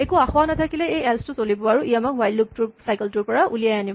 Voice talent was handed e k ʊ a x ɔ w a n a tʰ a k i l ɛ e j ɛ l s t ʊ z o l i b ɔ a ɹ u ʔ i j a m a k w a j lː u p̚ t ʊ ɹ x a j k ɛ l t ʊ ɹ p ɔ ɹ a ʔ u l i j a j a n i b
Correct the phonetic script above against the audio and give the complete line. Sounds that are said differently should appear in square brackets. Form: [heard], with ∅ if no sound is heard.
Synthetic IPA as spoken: e k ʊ a x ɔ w a n a tʰ a k i l ɛ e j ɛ l s t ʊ [s] o l i b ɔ a ɹ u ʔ i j a m a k w a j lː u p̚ t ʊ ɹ [s] a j k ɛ l t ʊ ɹ p ɔ ɹ a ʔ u l i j a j a n i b